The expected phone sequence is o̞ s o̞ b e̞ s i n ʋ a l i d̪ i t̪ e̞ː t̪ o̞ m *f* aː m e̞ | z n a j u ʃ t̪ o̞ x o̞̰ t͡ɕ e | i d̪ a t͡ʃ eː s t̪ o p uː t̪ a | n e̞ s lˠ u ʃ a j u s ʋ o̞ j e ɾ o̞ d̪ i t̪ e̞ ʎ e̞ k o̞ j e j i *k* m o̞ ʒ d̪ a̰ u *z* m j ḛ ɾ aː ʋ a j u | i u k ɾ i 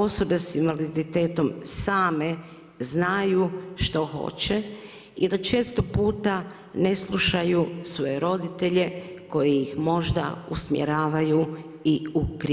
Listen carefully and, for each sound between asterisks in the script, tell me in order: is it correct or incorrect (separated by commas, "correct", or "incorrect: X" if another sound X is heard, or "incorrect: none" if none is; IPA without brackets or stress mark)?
incorrect: s, incorrect: x, incorrect: s